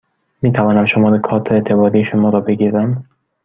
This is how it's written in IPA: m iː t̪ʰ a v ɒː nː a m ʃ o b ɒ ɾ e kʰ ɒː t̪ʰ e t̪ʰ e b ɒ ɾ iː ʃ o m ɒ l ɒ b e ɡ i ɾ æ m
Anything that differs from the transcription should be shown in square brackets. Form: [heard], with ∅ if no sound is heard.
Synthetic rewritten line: m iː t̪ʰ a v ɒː [n] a m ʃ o [m] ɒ ɾ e kʰ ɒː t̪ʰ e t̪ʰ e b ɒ ɾ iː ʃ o m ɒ [ɾ] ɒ b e ɡ i ɾ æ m

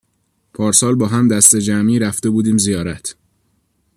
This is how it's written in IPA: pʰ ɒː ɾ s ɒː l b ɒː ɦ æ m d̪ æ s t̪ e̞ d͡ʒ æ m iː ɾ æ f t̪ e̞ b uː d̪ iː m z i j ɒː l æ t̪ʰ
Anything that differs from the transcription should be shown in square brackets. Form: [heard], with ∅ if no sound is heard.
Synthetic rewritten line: pʰ ɒː ɾ s ɒː l b ɒː ɦ æ m d̪ æ s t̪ e̞ d͡ʒ æ m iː ɾ æ f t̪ e̞ b uː d̪ iː m z i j ɒː [ɾ] æ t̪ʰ

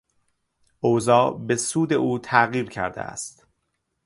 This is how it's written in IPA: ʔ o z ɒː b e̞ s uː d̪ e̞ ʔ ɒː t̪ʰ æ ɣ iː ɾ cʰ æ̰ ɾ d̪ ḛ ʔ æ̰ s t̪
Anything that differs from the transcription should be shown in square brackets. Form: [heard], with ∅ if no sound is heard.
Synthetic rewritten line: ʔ o z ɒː b e̞ s uː d̪ e̞ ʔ [uː] t̪ʰ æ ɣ iː ɾ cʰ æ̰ ɾ d̪ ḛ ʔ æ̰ s t̪

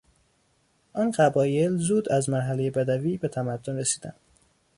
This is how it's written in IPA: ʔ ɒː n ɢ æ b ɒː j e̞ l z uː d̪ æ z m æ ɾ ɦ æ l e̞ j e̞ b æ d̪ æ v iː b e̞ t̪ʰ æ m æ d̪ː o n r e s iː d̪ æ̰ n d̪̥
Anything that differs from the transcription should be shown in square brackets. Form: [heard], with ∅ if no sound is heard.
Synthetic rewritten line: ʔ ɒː n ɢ æ b ɒː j e̞ l z uː d̪ æ z m æ ɾ ɦ æ l e̞ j e̞ b æ d̪ æ v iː b e̞ t̪ʰ æ m æ d̪ː o n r e s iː d̪ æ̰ n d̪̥

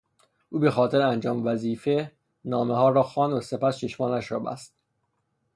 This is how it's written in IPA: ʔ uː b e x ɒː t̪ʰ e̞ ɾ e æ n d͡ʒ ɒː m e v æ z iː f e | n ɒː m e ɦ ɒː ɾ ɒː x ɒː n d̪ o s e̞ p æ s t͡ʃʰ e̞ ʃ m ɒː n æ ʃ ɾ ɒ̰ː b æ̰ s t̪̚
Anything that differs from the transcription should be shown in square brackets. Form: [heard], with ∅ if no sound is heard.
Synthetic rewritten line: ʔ uː b e x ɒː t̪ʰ e̞ ɾ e æ n d͡ʒ ɒː m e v æ z iː f e | n ɒː m e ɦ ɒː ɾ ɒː x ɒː n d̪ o s e̞ p æ s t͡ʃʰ e̞ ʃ m ɒː n æ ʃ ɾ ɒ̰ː b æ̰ s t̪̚

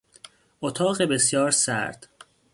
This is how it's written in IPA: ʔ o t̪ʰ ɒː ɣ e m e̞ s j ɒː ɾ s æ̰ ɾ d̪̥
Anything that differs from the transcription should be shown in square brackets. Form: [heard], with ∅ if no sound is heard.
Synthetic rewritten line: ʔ o t̪ʰ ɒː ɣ e [b] e̞ s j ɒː ɾ s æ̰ ɾ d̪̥

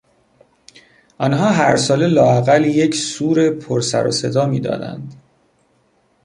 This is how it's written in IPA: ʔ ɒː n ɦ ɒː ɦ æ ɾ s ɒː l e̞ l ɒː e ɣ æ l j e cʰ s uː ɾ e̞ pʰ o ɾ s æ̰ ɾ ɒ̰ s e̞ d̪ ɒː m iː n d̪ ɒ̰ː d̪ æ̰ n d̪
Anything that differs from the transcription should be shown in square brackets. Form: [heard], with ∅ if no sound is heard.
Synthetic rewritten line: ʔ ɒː n ɦ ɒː ɦ æ ɾ s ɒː l e̞ l ɒː [æ] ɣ æ l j e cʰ s uː ɾ e̞ pʰ o ɾ s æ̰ ɾ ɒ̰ s e̞ d̪ ɒː m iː [∅] d̪ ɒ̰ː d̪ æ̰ n d̪

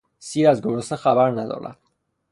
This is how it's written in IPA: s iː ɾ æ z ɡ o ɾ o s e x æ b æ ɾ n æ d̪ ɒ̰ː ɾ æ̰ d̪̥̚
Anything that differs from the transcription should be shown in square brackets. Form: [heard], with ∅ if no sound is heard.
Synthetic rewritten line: s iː ɾ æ z ɡ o ɾ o s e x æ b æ ɾ n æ d̪ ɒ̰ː ɾ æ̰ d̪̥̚

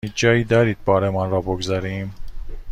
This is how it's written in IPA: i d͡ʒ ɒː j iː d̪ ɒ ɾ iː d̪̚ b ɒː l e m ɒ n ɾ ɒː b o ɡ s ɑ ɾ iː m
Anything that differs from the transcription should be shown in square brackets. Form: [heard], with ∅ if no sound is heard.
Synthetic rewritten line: i d͡ʒ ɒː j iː d̪ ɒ ɾ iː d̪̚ b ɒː [ɾ] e m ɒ n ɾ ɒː b o ɡ [z] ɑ ɾ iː m

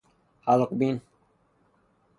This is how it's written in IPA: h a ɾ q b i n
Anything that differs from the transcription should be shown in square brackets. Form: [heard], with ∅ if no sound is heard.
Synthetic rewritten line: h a [l] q b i n

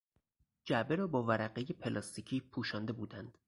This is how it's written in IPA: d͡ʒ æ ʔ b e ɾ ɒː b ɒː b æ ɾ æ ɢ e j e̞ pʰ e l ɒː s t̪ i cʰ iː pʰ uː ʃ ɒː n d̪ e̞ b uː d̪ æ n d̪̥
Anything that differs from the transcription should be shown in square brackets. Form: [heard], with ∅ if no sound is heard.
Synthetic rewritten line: d͡ʒ æ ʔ b e ɾ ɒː b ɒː [v] æ ɾ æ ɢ e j e̞ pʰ e l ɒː s t̪ i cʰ iː pʰ uː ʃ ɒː n d̪ e̞ b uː d̪ æ n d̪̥

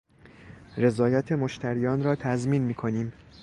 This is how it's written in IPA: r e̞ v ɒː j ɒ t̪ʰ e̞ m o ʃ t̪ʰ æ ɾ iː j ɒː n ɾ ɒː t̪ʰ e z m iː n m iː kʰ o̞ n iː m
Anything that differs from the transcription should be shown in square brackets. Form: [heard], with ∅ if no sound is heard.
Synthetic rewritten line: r e̞ [z] ɒː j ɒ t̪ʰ e̞ m o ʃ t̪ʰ æ ɾ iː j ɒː n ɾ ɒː t̪ʰ [æ] z m iː n m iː kʰ o̞ n iː m

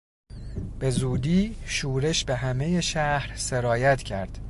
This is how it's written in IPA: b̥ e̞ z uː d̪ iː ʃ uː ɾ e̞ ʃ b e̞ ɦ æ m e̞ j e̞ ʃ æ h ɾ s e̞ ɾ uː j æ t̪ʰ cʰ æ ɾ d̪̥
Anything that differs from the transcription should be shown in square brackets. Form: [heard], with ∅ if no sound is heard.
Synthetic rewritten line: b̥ e̞ z uː d̪ iː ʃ uː ɾ e̞ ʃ b e̞ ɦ æ m e̞ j e̞ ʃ æ h ɾ s e̞ ɾ [ɒː] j æ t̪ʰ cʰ æ ɾ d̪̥

